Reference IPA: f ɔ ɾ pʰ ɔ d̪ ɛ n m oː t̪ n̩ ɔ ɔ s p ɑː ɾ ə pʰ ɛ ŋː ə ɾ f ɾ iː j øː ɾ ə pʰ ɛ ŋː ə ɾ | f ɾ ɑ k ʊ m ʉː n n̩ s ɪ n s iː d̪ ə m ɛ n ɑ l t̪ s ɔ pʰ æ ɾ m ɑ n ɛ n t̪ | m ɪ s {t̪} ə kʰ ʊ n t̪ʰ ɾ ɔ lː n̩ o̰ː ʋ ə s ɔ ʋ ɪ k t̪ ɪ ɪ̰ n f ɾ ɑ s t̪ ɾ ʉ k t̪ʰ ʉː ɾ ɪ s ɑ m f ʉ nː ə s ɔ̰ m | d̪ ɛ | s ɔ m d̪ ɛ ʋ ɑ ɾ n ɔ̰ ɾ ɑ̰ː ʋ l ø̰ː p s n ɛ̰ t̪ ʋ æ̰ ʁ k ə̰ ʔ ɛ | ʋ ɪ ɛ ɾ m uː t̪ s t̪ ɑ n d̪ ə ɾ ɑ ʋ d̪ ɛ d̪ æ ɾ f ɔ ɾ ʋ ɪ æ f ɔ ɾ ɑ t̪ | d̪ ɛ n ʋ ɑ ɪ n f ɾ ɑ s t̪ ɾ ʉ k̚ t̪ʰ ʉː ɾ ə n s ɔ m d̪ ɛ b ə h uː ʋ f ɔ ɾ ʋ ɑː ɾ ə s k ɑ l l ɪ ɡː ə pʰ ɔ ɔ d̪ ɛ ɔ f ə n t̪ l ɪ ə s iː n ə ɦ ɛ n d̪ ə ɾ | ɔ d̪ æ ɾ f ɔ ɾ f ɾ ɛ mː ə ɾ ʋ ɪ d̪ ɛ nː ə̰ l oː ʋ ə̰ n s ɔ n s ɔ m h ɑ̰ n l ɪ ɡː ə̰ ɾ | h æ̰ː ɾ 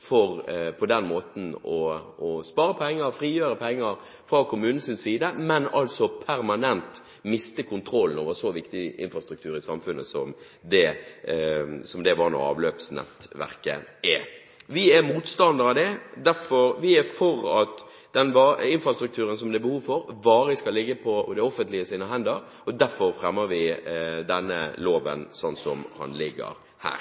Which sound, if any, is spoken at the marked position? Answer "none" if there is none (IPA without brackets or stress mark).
t̪